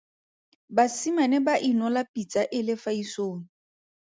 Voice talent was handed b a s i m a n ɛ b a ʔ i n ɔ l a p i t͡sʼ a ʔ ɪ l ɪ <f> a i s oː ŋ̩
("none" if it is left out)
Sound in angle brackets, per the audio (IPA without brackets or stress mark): f